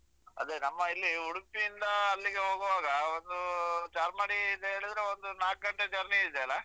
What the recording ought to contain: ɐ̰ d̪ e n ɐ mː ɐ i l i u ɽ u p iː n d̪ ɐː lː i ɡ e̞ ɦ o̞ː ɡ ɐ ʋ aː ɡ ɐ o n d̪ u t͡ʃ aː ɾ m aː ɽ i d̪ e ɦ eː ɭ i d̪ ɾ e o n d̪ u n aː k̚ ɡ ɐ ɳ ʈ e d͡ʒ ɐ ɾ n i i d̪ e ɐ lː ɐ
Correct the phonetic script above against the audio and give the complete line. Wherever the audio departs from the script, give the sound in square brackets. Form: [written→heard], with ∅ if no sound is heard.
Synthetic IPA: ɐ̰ d̪ e n ɐ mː ɐ i [l→lː] i u ɽ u p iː n d̪ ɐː lː i ɡ e̞ ɦ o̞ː ɡ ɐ ʋ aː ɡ ɐ o n d̪ u t͡ʃ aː ɾ m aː ɽ i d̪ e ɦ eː ɭ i d̪ ɾ e o n d̪ u n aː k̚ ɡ ɐ ɳ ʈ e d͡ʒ ɐ ɾ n i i d̪ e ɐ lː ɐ

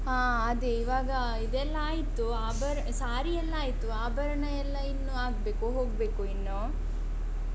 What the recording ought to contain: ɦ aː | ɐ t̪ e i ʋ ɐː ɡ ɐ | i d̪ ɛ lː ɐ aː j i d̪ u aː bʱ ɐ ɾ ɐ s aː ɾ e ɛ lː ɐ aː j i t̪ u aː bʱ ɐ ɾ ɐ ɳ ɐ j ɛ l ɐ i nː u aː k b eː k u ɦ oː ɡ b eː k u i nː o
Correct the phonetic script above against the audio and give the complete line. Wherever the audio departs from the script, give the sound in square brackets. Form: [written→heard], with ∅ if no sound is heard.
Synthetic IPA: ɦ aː | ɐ [t̪→d̪] e i ʋ [ɐː→aː] ɡ ɐ | i d̪ ɛ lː ɐ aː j i [d̪→t̪] u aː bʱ ɐ ɾ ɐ s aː ɾ [e→i] ɛ lː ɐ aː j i t̪ u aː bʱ ɐ ɾ ɐ ɳ ɐ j ɛ [l→lː] ɐ i nː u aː [k→ɡ] b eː k u ɦ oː ɡ b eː k u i nː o

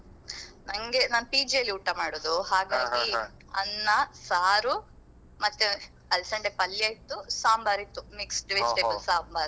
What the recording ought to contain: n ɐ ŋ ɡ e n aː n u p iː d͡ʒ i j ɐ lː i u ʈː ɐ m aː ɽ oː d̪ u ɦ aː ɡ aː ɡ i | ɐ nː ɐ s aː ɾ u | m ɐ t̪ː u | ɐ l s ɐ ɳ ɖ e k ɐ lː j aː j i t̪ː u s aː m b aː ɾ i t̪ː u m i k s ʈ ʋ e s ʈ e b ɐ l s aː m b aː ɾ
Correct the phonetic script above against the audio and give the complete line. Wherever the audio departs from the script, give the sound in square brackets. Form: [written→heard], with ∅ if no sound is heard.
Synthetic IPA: n ɐ ŋ ɡ e n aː n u p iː d͡ʒ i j ɐ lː i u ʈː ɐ m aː ɽ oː d̪ u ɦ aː ɡ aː ɡ i | ɐ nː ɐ s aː ɾ u | m ɐ t̪ː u | ɐ l s ɐ ɳ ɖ e [k→p] ɐ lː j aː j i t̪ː u s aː m b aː ɾ i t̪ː u m i k s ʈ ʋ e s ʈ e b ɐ l s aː m b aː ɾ

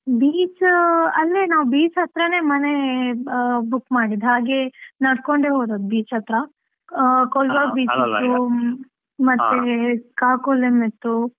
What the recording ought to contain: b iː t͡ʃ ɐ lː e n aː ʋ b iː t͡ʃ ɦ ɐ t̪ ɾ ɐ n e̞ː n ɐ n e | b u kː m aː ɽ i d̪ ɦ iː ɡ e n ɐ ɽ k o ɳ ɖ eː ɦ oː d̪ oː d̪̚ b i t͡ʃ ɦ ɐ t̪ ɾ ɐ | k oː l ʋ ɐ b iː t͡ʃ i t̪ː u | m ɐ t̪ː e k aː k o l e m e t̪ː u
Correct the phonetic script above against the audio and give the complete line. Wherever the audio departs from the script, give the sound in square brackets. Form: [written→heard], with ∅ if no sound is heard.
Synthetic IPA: b iː t͡ʃ ɐ lː e n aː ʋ b iː t͡ʃ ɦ ɐ t̪ ɾ ɐ n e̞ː [n→m] ɐ n e | b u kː m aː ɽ i d̪ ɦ [iː→aː] ɡ e n ɐ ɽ k o ɳ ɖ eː ɦ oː d̪ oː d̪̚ b [i→iː] t͡ʃ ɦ ɐ t̪ ɾ ɐ | k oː l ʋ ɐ b iː t͡ʃ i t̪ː u | m ɐ t̪ː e k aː k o l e m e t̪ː u

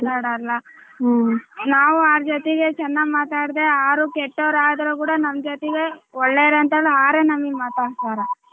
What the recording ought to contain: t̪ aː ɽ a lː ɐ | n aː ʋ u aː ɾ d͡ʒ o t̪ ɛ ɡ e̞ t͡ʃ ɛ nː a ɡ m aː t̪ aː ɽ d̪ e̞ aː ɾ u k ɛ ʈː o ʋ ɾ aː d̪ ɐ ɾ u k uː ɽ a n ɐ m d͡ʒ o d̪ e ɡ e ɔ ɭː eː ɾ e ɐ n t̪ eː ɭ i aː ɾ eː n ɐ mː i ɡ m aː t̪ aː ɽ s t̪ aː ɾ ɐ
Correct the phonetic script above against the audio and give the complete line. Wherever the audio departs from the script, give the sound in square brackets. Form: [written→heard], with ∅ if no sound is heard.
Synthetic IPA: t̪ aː ɽ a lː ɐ | n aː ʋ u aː ɾ d͡ʒ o t̪ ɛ ɡ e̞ t͡ʃ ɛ nː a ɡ m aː t̪ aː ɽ d̪ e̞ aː ɾ u k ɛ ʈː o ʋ ɾ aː d̪ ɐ ɾ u k uː ɽ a n ɐ m d͡ʒ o [d̪→t̪] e ɡ e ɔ ɭː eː ɾ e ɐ n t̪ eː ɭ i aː ɾ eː n ɐ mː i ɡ m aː t̪ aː ɽ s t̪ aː ɾ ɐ

